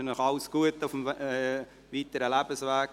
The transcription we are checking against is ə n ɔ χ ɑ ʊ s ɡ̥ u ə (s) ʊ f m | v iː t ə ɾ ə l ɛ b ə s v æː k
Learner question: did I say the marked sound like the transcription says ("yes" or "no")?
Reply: no